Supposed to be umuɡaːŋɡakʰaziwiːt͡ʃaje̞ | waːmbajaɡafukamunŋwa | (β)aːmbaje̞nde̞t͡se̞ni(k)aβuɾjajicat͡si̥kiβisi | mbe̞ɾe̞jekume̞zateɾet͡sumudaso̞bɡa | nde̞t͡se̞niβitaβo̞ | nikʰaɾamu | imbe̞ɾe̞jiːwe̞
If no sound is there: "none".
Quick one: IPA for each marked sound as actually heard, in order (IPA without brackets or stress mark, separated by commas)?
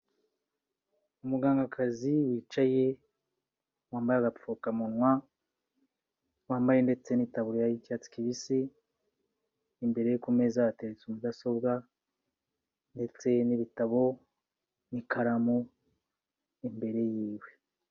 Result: w, t